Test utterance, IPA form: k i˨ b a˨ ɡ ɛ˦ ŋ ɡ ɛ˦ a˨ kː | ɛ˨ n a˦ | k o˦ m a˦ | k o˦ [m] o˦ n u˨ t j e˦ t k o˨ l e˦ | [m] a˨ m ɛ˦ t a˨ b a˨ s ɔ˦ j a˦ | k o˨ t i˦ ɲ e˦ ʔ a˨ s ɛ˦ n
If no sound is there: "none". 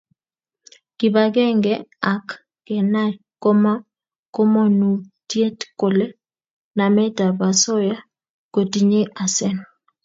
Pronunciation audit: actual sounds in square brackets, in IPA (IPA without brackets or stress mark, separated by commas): m, n